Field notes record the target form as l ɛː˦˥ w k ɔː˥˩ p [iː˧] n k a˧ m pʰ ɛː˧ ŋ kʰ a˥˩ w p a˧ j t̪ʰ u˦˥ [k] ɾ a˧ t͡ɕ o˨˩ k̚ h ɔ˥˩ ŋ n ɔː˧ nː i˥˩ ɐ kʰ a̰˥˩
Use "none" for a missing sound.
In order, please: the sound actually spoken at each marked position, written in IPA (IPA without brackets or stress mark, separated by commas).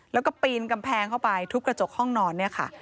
iː˧, k